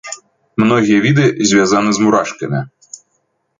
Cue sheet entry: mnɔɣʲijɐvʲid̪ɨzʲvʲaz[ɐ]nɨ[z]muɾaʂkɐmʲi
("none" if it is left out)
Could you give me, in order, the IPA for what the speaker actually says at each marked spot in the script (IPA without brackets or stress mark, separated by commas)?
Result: a, z